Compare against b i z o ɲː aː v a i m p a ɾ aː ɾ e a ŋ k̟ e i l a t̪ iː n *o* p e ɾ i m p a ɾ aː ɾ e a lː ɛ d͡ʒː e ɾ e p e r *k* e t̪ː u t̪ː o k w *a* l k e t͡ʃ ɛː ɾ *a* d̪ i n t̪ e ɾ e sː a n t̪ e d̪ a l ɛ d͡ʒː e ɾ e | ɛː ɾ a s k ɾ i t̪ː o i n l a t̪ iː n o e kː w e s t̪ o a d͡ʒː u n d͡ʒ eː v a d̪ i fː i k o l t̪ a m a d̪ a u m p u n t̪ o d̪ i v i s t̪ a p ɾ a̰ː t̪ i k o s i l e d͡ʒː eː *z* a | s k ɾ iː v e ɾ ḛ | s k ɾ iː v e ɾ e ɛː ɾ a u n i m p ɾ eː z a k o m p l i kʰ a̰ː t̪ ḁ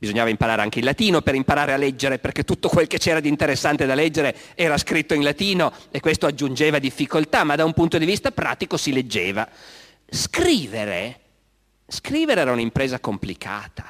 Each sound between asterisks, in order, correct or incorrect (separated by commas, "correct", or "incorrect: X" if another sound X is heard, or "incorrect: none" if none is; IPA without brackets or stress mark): correct, correct, incorrect: e, correct, incorrect: v